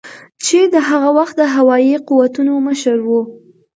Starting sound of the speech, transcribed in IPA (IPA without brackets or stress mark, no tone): t͡ʃ